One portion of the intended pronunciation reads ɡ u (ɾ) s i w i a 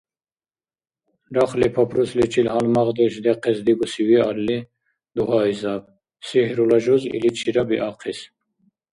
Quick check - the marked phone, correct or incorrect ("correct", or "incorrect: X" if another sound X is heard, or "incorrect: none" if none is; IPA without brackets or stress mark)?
incorrect: none